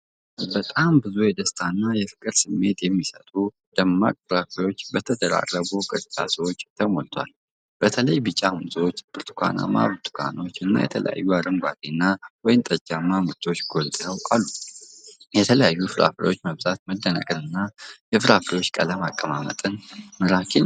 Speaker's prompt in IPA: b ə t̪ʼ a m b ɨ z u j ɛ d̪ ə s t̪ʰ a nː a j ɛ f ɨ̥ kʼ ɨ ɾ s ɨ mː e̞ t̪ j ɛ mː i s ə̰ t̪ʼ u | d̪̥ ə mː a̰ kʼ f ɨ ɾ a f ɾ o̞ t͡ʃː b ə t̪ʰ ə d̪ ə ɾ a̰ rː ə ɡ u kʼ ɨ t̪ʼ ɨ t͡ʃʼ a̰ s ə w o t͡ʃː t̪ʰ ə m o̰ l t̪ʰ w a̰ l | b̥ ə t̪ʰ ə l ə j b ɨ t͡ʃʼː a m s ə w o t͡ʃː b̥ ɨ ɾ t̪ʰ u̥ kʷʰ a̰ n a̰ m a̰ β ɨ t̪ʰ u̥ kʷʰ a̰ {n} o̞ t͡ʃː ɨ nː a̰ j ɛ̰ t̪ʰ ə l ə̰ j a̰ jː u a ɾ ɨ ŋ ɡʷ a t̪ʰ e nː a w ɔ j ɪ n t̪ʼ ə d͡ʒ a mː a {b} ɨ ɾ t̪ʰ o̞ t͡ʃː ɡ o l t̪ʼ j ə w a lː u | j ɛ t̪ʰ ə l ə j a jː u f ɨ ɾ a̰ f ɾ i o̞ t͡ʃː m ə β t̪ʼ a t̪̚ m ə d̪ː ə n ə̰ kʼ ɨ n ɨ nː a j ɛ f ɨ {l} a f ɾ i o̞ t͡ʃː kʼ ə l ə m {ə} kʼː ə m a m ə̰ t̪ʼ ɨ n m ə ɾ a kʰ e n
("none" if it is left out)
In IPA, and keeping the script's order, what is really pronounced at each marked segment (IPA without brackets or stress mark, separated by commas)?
n, m, ɾ, a